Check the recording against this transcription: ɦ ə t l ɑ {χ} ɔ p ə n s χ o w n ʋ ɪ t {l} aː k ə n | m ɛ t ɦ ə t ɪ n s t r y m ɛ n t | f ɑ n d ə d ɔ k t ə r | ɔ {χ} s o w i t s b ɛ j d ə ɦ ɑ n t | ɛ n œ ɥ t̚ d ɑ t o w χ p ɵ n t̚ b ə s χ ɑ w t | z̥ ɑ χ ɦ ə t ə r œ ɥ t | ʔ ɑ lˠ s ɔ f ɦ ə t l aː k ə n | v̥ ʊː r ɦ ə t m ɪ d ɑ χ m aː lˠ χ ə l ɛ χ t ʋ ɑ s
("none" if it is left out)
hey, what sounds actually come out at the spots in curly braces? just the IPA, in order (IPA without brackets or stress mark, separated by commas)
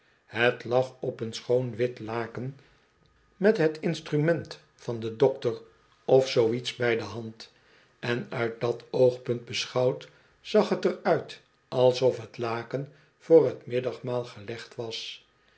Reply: χ, l, f